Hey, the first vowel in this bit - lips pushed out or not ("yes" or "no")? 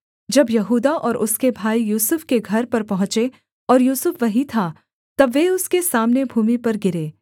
no